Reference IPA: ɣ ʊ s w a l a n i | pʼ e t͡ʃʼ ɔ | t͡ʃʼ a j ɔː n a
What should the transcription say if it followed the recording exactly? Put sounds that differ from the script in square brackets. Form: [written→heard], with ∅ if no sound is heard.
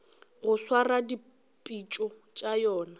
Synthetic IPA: ɣ ʊ s w a [l→r] a [n→d] i | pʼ [e→i] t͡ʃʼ ɔ | t͡ʃʼ a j ɔː n a